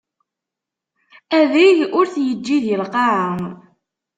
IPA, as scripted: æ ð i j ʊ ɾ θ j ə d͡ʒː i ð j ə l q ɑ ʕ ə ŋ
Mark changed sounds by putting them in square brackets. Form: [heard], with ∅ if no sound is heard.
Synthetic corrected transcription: æ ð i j ʊ ɾ θ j ə d͡ʒː i ð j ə l q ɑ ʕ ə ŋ